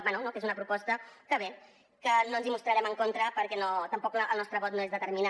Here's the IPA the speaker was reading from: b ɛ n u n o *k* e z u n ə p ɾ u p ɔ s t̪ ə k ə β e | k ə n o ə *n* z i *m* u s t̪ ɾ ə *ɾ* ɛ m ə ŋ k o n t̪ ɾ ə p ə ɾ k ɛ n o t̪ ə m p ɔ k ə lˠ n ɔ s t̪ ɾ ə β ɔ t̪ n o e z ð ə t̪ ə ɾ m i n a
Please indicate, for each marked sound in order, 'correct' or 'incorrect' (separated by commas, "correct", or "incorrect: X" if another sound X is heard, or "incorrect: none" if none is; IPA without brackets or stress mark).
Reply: correct, correct, correct, correct